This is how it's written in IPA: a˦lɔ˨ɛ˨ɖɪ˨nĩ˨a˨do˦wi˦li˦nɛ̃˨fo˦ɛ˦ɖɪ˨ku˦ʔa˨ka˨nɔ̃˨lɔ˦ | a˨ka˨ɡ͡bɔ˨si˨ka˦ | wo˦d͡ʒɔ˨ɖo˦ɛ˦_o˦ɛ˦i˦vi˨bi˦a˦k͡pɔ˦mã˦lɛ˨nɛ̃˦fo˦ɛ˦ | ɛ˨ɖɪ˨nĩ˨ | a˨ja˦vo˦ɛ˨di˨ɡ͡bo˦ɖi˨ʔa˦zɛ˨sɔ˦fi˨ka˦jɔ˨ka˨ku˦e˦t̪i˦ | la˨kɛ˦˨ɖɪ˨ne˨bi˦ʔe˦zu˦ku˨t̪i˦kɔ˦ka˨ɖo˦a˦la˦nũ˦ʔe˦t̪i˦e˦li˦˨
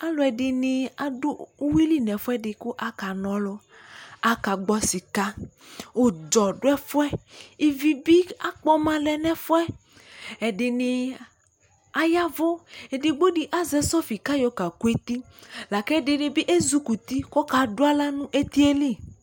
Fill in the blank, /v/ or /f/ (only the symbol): f